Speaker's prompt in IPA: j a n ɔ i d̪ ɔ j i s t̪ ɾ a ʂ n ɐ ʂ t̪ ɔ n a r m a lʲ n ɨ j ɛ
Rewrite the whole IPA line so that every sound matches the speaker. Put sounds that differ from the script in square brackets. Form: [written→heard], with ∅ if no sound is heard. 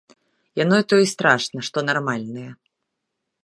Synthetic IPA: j a n ɔ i [d̪→t̪] ɔ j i s t̪ ɾ a ʂ n ɐ ʂ t̪ ɔ n a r m a lʲ n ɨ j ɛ